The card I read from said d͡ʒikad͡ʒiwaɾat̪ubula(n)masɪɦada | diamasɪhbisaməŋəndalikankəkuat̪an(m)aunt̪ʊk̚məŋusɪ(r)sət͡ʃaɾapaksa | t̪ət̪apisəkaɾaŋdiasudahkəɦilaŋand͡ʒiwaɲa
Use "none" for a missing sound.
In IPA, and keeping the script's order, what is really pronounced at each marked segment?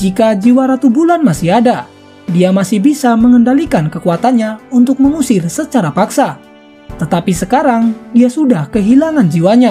n, ɲ, r

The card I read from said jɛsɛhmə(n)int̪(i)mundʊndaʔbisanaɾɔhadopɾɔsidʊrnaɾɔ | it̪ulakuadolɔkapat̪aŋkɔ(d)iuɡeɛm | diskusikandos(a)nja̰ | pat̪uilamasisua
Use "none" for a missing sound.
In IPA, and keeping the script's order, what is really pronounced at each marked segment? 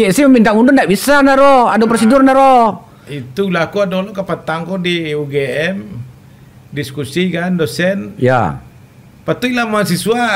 m, a, d, ɛ

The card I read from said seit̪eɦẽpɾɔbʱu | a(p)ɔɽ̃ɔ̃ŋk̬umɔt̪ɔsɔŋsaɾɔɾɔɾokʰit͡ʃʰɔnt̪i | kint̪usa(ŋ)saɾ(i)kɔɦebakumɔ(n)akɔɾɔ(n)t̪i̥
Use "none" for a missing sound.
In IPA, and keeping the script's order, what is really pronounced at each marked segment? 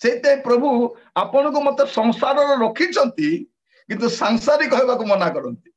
p, ŋ, i, n, n

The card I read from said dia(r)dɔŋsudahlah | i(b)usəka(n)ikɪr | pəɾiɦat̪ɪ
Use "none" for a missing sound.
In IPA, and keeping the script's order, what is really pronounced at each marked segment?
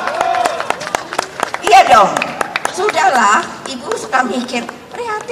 none, b, m

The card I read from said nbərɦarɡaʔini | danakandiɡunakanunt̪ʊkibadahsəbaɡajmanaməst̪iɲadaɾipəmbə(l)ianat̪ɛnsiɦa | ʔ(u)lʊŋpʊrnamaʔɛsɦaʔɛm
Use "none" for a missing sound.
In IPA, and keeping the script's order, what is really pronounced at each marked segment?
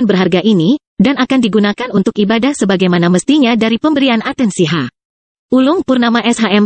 ɾ, u

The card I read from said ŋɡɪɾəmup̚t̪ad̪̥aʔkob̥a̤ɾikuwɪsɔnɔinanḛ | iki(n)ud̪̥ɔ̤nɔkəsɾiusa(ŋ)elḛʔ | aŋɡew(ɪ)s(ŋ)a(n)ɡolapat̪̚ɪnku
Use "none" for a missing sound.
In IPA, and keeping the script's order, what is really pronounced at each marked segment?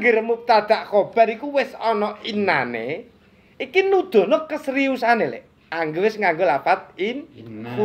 n, n, ɪ, ŋ, ŋ

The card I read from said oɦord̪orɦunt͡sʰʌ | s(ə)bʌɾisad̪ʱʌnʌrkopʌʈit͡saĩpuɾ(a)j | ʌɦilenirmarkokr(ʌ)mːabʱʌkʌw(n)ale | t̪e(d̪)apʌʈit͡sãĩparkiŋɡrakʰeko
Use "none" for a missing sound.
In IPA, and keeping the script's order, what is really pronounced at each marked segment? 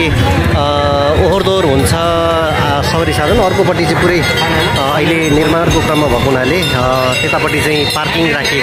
ʌ, ʌ, ʌ, n, t̪

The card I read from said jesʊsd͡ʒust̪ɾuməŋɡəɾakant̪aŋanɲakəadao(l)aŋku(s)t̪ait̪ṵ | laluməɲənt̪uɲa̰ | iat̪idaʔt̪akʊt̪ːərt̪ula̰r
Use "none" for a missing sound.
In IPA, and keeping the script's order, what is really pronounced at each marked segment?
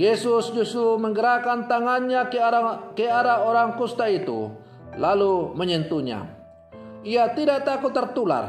ɾ, s

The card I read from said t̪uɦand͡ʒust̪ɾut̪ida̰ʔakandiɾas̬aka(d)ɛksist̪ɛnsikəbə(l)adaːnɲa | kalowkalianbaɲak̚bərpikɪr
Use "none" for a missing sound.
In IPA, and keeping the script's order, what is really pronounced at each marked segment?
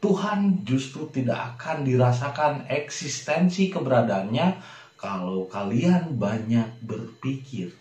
n, ɾ

